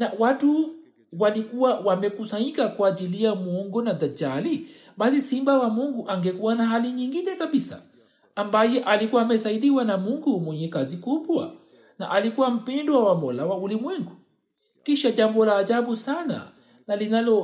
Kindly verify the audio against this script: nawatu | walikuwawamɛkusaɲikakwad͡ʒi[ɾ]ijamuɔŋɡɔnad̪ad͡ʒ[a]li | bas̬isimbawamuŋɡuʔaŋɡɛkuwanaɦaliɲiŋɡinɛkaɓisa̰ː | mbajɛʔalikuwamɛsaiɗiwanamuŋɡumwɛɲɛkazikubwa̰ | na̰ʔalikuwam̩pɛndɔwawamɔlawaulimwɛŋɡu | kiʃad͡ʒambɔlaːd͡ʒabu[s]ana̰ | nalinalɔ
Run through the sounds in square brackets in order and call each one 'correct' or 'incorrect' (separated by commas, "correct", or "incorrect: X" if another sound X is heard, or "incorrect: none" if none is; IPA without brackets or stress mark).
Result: incorrect: l, correct, correct